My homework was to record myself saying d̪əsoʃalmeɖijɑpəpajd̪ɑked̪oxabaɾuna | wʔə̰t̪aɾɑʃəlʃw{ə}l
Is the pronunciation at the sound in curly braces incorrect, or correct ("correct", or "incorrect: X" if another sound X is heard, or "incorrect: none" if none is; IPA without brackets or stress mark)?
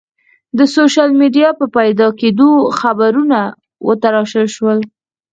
correct